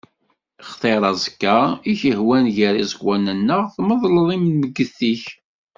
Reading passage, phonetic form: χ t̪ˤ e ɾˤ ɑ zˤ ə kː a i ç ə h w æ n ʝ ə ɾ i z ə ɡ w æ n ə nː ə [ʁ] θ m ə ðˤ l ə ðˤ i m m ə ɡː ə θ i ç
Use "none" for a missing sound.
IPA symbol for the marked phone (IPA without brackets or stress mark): ʁ